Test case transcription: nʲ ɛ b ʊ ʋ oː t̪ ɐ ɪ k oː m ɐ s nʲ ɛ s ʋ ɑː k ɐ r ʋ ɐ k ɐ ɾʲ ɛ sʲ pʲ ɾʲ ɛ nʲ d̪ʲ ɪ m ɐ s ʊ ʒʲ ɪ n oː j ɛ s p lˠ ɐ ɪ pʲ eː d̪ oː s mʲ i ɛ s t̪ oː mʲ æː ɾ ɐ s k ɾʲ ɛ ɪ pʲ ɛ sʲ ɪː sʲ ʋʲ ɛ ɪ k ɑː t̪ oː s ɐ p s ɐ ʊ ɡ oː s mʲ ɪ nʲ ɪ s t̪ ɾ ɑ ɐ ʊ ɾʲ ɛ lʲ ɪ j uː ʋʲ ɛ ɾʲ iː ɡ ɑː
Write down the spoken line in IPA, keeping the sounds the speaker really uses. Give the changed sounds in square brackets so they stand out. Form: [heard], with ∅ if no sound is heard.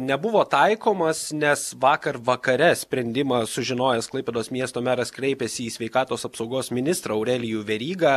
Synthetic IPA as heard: nʲ ɛ b ʊ ʋ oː t̪ ɐ ɪ k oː m ɐ s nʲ ɛ s ʋ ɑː k ɐ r ʋ ɐ k ɐ ɾʲ ɛ sʲ pʲ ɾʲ ɛ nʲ d̪ʲ ɪ m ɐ s ʊ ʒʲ ɪ n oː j ɛ s [k] lˠ ɐ ɪ pʲ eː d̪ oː s mʲ i ɛ s t̪ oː mʲ æː ɾ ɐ s k ɾʲ ɛ ɪ pʲ ɛ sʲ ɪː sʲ ʋʲ ɛ ɪ k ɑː t̪ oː s ɐ p s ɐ ʊ ɡ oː s mʲ ɪ nʲ ɪ s t̪ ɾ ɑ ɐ ʊ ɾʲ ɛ lʲ ɪ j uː ʋʲ ɛ ɾʲ iː ɡ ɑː